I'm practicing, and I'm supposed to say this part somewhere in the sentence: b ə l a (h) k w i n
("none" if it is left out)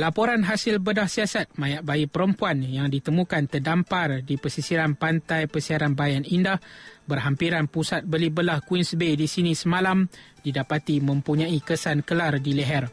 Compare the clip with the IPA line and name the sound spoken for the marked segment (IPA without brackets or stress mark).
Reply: h